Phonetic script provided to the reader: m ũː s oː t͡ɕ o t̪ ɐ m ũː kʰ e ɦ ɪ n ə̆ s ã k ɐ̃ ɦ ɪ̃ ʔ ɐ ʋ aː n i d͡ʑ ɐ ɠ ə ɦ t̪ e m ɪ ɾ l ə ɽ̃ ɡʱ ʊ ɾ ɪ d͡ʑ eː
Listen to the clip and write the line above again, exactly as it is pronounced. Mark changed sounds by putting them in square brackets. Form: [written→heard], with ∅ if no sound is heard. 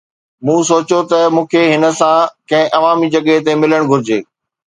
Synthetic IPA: m ũː s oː t͡ɕ o t̪ ɐ m ũː kʰ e ɦ ɪ n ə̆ s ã k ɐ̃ ɦ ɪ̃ ʔ ɐ ʋ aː [n→m] i d͡ʑ ɐ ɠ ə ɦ t̪ e m ɪ [ɾ→∅] l ə ɽ̃ ɡʱ ʊ ɾ ɪ d͡ʑ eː